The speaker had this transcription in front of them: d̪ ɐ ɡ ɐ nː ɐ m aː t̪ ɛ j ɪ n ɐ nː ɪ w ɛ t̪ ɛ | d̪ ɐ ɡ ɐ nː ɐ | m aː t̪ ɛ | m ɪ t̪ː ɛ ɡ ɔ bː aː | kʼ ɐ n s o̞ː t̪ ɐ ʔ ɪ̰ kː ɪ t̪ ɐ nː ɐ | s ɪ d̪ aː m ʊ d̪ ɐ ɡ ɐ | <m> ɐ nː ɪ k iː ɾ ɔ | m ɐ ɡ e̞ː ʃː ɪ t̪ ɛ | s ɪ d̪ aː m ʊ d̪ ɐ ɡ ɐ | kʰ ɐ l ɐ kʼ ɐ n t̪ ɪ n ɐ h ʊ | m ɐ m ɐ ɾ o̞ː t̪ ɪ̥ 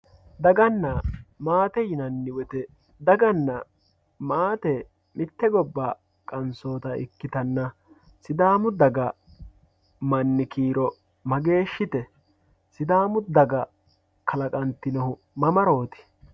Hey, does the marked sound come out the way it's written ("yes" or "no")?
yes